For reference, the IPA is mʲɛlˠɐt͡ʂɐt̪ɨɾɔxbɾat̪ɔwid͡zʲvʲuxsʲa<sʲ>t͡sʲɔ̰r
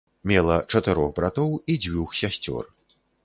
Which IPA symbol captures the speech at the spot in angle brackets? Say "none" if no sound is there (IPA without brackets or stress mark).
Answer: sʲ